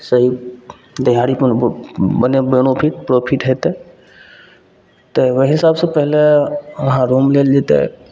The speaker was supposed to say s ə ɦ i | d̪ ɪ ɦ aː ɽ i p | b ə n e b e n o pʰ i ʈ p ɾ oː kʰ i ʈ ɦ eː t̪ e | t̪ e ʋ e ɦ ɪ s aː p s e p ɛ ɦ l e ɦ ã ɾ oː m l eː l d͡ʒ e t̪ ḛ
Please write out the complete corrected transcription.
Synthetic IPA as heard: s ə ɦ i | d̪ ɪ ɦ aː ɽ i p | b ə n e b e n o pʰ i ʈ p ɾ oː pʰ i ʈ ɦ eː t̪ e | t̪ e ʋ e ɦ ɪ s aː b s e p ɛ ɦ l e ɦ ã ɾ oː m l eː l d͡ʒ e t̪ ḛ

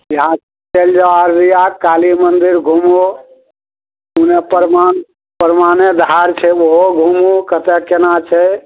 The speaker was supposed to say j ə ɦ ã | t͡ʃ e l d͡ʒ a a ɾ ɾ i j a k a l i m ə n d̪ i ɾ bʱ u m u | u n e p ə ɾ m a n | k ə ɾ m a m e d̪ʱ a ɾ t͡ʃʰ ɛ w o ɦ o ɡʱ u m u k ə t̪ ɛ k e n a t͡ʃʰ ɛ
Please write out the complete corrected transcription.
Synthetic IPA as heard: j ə ɦ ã | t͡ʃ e l d͡ʒ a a ɾ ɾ i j a k a l i m ə n d̪ i ɾ ɡʱ u m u | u n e p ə ɾ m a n | p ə ɾ m a n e d̪ʱ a ɾ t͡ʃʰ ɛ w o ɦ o ɡʱ u m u k ə t̪ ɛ k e n a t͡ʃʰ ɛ

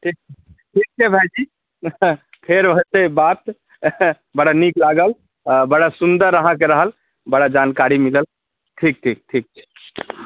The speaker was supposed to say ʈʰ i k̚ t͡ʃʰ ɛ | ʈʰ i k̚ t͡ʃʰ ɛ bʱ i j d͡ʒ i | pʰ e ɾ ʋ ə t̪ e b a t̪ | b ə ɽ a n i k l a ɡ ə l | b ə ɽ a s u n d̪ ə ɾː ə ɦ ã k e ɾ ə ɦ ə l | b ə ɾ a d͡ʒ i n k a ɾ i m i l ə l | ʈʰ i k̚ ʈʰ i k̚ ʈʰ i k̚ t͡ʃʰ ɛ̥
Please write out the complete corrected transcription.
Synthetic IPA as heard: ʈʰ i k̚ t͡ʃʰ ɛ | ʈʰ i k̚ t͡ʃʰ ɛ bʱ a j d͡ʒ i | pʰ e ɾ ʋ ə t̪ e b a t̪ | b ə ɽ a n i k l a ɡ ə l | b ə ɽ a s u n d̪ ə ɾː ə ɦ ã k e ɾ ə ɦ ə l | b ə ɽ a d͡ʒ a n k a ɾ i m i l ə l | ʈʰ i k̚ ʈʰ i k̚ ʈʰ i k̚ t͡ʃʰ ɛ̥

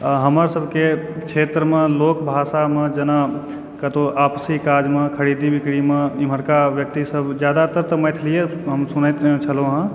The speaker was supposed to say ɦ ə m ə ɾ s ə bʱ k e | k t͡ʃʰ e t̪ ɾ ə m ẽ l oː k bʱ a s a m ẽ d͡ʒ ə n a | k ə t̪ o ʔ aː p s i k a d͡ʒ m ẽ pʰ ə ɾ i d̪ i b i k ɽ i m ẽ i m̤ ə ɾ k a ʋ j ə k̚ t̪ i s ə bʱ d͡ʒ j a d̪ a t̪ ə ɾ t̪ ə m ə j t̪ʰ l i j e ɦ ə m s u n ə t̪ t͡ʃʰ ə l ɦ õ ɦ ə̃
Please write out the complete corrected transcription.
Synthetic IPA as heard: ɦ ə m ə ɾ s ə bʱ k e | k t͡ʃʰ e t̪ ɾ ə m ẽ l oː k bʱ a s a m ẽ d͡ʒ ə n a | k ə t̪ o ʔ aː p s i k a d͡ʒ m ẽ kʰ ə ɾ i d̪ i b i k ɽ i m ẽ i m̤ ə ɾ k a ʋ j ə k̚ t̪ i s ə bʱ d͡ʒ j a d̪ a t̪ ə ɾ t̪ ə m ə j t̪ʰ l i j e ɦ ə m s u n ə t̪ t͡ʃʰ ə l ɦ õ ɦ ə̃

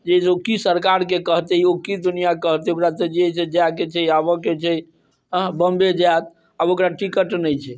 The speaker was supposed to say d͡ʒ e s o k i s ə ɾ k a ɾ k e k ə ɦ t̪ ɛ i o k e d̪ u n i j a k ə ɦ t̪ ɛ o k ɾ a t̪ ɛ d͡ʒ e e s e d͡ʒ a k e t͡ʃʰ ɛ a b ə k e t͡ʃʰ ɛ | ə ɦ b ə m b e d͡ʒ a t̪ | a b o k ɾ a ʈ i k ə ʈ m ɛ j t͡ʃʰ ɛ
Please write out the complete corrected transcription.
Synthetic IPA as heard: d͡ʒ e s o k i s ə ɾ k a ɾ k e k ə ɦ t̪ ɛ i o k i d̪ u n i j a k ə ɦ t̪ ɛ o k ɾ a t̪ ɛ d͡ʒ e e s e d͡ʒ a k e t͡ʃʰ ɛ a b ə k e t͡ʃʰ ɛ | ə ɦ b ə m b e d͡ʒ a t̪ | a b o k ɾ a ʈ i k ə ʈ n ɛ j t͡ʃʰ ɛ

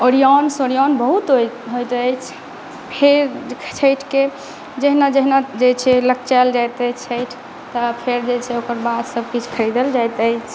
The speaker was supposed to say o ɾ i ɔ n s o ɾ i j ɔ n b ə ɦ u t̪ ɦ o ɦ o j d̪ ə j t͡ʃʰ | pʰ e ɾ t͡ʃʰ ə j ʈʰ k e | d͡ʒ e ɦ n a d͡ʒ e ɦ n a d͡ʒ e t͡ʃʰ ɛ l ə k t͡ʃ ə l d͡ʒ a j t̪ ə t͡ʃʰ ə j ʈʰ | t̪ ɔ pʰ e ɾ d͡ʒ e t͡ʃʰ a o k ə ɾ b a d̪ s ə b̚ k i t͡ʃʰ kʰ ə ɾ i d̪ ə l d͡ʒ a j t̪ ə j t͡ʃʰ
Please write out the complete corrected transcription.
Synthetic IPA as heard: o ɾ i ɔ n s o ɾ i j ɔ n b ə ɦ u t̪ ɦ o ɦ o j t̪ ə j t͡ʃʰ | pʰ e ɾ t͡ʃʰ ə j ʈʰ k e | d͡ʒ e ɦ n a d͡ʒ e ɦ n a d͡ʒ e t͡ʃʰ ɛ l ə k t͡ʃ a l d͡ʒ a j t̪ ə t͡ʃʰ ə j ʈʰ | t̪ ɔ pʰ e ɾ d͡ʒ e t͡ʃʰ ɛ o k ə ɾ b a d̪ s ə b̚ k i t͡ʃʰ kʰ ə ɾ i d̪ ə l d͡ʒ a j t̪ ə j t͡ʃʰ

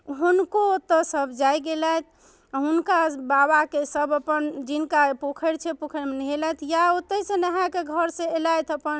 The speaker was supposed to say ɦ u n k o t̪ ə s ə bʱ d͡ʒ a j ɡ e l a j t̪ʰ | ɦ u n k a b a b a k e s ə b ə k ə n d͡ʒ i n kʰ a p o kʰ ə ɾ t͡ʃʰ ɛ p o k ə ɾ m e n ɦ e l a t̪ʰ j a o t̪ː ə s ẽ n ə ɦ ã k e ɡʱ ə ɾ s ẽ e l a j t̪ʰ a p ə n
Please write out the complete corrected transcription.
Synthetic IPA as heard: ɦ u n k o t̪ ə s ə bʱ d͡ʒ a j ɡ e l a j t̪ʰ | ɦ u n k a b a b a k e s ə b ə p ə n d͡ʒ i n k a p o kʰ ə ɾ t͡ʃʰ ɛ p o kʰ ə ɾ m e n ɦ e l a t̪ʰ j a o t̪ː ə s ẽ n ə ɦ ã k e ɡʱ ə ɾ s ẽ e l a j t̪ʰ ə p ə n

